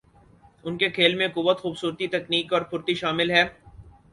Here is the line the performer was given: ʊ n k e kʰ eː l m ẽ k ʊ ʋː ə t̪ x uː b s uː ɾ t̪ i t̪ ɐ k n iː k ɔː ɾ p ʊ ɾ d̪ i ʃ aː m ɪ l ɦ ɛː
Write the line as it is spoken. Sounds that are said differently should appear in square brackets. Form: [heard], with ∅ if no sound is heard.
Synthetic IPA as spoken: ʊ n k e kʰ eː l m ẽ k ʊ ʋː ə t̪ x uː b s uː ɾ t̪ i t̪ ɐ k n iː k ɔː ɾ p ʊ ɾ [t̪] i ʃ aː m ɪ l ɦ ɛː